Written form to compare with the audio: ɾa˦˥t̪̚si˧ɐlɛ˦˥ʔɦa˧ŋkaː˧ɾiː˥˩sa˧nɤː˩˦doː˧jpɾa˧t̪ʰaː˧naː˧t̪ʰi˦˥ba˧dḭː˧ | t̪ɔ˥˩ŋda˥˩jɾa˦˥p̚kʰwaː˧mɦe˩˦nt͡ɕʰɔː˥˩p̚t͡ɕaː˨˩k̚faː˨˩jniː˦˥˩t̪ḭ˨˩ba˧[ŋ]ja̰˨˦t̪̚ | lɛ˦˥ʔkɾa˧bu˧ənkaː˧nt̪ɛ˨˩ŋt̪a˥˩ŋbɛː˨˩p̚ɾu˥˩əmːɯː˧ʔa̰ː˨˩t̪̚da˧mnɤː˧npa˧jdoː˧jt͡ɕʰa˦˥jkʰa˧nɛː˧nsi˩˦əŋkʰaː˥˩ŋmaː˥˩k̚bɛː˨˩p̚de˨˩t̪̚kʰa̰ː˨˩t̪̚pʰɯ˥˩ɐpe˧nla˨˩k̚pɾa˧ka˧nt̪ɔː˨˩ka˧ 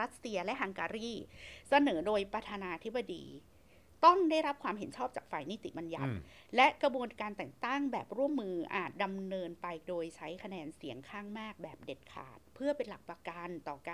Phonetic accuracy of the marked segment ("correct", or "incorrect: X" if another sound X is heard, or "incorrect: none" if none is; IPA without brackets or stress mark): incorrect: n